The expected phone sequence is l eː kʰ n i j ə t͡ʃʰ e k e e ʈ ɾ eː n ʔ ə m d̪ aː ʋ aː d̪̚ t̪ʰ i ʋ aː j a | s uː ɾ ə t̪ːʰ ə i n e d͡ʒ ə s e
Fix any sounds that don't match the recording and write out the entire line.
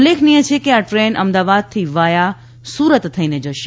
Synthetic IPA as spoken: l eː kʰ n i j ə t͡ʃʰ e k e a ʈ ɾ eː n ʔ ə m d̪ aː ʋ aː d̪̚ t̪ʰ i ʋ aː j a | s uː ɾ ə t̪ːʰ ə i n e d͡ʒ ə ʃ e